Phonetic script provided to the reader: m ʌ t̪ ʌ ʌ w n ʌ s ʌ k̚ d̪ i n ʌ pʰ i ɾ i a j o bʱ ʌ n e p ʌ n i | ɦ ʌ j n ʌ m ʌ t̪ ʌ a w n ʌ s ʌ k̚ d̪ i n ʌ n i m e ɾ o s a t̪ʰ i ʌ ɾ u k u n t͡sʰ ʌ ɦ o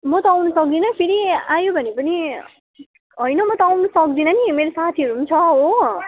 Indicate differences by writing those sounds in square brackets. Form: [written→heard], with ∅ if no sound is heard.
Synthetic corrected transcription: m ʌ t̪ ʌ [ʌ→a] w n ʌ s ʌ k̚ d̪ i n ʌ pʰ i ɾ i a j o bʱ ʌ n e p ʌ n i | ɦ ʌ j n ʌ m ʌ t̪ ʌ a w n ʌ s ʌ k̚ d̪ i n ʌ n i m e ɾ o s a t̪ʰ i ʌ ɾ u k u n t͡sʰ ʌ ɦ o